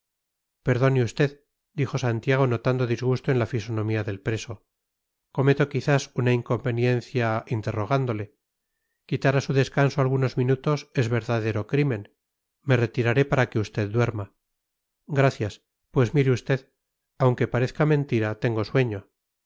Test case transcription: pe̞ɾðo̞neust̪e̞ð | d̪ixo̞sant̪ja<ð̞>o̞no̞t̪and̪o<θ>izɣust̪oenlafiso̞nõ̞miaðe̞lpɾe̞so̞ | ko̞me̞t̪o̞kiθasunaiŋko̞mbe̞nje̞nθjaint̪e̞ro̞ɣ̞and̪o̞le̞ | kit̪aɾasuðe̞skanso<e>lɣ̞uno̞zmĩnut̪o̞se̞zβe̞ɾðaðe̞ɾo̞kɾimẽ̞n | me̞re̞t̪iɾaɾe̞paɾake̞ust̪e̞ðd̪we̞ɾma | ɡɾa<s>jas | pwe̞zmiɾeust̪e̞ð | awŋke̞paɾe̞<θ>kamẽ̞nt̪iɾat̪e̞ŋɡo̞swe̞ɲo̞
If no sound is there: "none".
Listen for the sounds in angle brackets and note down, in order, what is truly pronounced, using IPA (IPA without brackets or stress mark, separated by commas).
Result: ɣ̞, ð, a, θ, θ